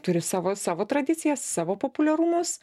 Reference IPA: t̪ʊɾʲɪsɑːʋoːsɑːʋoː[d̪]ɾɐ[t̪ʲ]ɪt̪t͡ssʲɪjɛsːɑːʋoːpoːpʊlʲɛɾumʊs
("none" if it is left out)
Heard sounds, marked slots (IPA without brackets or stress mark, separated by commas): t̪, d̪ʲ